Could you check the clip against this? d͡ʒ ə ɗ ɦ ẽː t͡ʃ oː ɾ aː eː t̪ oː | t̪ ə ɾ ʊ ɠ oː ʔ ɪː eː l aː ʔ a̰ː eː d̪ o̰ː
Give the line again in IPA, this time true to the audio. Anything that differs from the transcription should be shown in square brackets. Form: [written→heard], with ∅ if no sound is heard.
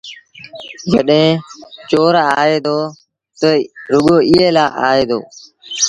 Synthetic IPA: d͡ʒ ə ɗ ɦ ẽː t͡ʃ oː ɾ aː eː [t̪→d̪] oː | t̪ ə ɾ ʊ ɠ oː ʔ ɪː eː l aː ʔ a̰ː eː d̪ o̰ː